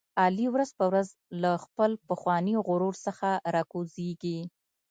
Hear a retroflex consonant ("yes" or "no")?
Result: no